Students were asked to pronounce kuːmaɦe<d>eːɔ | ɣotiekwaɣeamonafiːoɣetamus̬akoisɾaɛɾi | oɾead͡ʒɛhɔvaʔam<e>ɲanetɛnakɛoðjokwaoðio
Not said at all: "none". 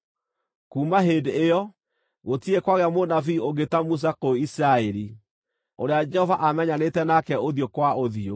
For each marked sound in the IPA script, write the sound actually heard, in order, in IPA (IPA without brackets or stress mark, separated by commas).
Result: d, ɛ